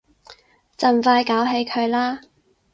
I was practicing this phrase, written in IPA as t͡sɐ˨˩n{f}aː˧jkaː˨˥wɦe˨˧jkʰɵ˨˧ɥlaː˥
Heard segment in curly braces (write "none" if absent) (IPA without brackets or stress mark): f